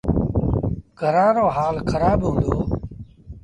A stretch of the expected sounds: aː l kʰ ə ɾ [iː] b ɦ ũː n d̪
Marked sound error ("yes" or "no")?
yes